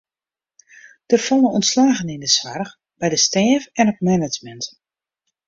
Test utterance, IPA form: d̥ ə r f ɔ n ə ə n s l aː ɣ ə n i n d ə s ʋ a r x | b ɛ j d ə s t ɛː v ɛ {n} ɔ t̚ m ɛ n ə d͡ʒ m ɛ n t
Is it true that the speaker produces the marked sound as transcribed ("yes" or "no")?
yes